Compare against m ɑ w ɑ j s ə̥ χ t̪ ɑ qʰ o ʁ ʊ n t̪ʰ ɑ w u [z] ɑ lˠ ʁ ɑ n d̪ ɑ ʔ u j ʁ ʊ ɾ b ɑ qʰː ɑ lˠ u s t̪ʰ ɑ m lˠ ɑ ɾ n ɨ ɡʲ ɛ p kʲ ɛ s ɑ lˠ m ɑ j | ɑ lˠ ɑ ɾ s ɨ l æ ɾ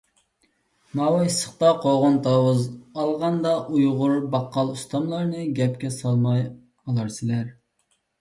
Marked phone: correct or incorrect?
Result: correct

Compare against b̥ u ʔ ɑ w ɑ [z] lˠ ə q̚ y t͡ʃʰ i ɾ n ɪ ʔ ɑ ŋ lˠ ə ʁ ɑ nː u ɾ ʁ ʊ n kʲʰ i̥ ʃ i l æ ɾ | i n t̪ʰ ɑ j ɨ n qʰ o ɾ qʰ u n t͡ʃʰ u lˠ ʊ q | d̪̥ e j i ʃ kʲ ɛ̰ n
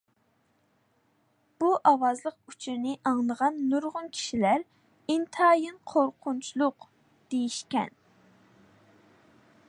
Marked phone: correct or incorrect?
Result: correct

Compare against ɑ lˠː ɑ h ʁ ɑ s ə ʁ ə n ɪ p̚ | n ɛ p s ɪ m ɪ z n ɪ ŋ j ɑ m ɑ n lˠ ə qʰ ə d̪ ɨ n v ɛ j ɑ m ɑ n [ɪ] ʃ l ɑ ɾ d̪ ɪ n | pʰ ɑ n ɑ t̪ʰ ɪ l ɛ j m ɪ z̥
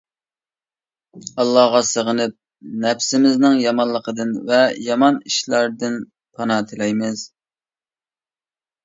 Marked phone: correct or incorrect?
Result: incorrect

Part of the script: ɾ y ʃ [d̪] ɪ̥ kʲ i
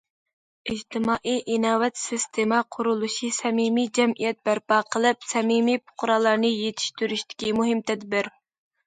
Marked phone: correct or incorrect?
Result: incorrect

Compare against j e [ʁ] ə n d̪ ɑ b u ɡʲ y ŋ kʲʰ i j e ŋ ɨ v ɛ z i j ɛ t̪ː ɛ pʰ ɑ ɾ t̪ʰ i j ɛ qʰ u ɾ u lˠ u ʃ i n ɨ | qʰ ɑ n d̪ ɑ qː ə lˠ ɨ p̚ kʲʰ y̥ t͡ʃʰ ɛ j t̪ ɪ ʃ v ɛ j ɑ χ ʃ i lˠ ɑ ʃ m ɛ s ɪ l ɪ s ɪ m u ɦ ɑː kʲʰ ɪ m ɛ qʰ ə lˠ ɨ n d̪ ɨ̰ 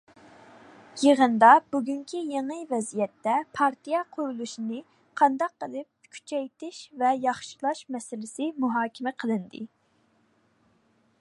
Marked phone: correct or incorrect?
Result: correct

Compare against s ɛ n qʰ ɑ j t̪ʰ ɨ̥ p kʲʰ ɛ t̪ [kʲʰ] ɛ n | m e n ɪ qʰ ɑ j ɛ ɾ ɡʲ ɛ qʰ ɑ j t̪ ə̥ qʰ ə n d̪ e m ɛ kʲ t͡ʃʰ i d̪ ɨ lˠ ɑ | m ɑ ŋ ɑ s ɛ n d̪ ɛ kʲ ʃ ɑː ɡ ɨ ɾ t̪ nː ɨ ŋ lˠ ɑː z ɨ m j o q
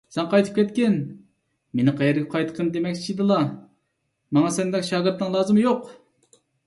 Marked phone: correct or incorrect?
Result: incorrect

